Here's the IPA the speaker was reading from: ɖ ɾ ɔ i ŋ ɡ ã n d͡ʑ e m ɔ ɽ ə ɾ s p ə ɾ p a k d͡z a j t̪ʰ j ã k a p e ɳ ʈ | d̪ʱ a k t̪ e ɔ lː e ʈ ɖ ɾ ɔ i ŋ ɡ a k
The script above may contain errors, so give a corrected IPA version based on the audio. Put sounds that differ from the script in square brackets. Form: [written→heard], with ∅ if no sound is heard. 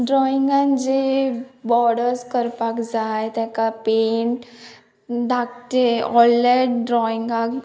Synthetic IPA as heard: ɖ ɾ ɔ i ŋ ɡ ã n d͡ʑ e [m→b] ɔ ɽ ə ɾ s [p→k] ə ɾ p a k d͡z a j [t̪ʰ→t̪] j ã k a p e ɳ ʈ | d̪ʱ a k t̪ e ɔ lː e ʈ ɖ ɾ ɔ i ŋ ɡ a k